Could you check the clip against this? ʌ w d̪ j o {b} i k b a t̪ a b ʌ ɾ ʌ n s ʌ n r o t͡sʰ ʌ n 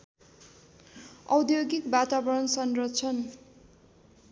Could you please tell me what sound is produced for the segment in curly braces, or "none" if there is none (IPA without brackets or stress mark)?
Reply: ɡ